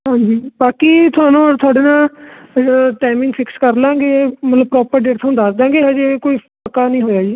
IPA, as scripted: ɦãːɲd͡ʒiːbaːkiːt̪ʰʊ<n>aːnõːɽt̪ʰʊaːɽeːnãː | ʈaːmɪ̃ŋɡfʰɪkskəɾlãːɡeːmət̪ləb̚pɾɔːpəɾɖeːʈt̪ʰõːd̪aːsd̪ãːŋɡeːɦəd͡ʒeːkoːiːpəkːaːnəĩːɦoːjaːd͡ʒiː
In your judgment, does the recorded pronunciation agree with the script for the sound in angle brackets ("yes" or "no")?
no